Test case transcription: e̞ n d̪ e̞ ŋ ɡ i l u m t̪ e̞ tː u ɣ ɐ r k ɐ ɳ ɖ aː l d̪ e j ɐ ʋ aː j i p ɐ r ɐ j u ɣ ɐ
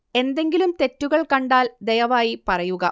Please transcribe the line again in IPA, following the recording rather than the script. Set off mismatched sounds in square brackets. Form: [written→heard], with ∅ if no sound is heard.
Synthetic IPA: e̞ n d̪ e̞ ŋ ɡ i l u m t̪ e̞ tː u ɣ ɐ [r→ɭ] k ɐ ɳ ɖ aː l d̪ e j ɐ ʋ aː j i p ɐ r ɐ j u ɣ ɐ

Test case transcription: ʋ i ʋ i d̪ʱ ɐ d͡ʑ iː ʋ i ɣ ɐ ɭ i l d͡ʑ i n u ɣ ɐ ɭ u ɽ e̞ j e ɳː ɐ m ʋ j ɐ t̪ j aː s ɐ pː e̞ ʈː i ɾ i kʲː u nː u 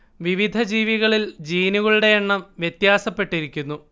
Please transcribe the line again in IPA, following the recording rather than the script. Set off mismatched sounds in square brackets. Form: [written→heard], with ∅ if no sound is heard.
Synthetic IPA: ʋ i ʋ i d̪ʱ ɐ d͡ʑ iː ʋ i ɣ ɐ ɭ i l d͡ʑ [i→iː] n u ɣ ɐ ɭ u ɽ e̞ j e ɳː ɐ m ʋ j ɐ t̪ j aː s ɐ pː e̞ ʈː i ɾ i kʲː u nː u

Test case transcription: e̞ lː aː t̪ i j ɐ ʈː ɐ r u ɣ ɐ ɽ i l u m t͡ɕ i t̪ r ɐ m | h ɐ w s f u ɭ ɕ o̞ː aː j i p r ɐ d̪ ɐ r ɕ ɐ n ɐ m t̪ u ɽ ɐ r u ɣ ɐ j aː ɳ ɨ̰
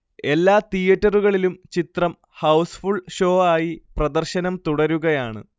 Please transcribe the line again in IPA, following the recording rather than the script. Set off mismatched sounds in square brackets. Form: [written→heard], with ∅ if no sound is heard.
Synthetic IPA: e̞ lː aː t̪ i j ɐ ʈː ɐ r u ɣ ɐ [ɽ→ɭ] i l u m t͡ɕ i t̪ r ɐ m | h ɐ w s f u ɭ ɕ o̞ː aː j i p r ɐ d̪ ɐ r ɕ ɐ n ɐ m t̪ u ɽ ɐ [r→ɾ] u ɣ ɐ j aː ɳ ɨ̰

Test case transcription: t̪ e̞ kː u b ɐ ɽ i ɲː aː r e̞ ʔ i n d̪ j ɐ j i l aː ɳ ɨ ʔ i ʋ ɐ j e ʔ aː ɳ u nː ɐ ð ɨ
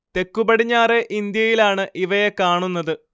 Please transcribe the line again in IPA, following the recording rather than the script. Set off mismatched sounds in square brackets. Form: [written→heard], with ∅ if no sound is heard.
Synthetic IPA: t̪ e̞ kː u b ɐ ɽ i ɲː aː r e̞ ʔ i n d̪ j ɐ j i l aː ɳ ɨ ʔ i ʋ ɐ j e [ʔ→k] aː ɳ u nː ɐ ð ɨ

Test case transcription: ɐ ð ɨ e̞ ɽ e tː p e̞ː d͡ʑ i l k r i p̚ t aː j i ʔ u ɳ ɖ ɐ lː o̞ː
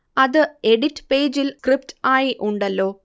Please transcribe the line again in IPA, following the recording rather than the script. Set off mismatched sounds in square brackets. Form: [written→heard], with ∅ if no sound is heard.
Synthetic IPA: ɐ ð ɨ e̞ ɽ [e→i] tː p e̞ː d͡ʑ i l k r i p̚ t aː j i ʔ u ɳ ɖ ɐ lː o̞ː

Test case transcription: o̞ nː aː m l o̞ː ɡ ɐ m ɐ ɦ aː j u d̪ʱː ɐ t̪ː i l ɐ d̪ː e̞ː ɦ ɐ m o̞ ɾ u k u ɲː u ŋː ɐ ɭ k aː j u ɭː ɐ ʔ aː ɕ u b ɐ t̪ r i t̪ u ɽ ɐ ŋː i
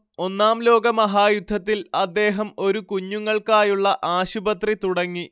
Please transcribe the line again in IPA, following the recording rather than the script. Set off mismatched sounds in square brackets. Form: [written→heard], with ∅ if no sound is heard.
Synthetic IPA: o̞ nː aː m l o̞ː ɡ ɐ m ɐ ɦ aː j u d̪ʱː ɐ t̪ː i l ɐ d̪ː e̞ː ɦ ɐ m o̞ ɾ u k u ɲː u ŋː ɐ ɭ k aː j u ɭː ɐ ʔ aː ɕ u b ɐ t̪ r i t̪ u ɽ ɐ ŋː i

